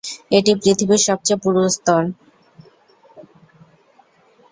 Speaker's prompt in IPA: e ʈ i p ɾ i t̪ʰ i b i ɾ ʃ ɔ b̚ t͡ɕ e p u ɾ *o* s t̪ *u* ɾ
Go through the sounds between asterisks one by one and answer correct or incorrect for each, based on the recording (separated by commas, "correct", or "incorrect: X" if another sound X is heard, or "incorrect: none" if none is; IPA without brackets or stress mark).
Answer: correct, incorrect: ɔ